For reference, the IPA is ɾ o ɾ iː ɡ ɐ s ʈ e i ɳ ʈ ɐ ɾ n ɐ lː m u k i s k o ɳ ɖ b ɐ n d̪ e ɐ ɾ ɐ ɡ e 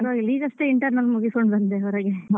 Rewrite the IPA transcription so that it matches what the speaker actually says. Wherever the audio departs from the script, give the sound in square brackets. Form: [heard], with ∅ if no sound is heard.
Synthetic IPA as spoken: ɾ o [l] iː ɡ ɐ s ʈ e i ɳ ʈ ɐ ɾ n ɐ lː m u [ɡ] i s k o ɳ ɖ b ɐ n d̪ e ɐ ɾ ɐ ɡ e